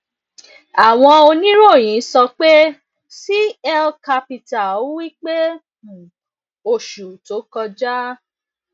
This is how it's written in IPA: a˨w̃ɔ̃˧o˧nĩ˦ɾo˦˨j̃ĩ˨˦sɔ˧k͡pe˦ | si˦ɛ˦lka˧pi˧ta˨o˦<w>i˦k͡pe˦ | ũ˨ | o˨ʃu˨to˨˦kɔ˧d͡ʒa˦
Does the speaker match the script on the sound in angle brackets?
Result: yes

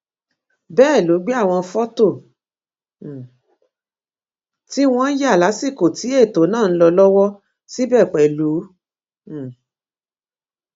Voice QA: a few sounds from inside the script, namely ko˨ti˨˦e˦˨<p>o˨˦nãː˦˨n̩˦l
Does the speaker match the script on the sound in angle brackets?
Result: no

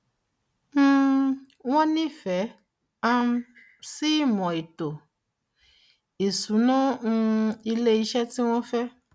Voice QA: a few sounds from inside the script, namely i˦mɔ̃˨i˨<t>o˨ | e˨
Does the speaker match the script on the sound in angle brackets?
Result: yes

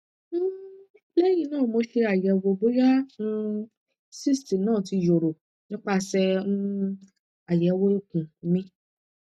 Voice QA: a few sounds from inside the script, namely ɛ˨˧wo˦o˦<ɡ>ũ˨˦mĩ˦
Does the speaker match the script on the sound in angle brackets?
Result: no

